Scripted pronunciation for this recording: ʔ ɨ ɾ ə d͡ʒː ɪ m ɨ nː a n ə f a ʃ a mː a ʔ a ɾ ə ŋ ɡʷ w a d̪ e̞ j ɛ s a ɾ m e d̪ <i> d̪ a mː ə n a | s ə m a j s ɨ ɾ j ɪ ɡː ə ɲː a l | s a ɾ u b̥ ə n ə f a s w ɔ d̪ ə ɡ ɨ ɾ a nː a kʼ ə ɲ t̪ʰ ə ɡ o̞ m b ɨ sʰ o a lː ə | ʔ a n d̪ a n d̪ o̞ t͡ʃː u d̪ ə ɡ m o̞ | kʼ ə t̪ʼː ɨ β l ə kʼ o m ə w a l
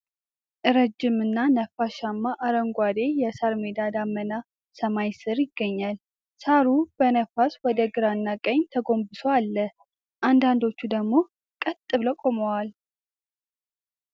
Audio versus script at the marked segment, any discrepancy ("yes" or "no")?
yes